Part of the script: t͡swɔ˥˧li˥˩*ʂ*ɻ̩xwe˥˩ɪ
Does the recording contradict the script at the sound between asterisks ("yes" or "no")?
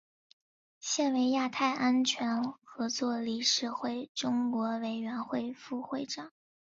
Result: no